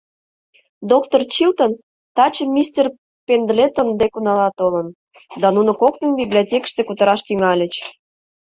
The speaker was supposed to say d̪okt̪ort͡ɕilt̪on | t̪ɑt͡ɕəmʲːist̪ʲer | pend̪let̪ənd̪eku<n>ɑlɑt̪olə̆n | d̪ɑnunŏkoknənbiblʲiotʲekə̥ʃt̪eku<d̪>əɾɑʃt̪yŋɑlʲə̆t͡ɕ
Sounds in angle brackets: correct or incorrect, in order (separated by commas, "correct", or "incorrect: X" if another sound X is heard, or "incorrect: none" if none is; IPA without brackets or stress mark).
correct, incorrect: t̪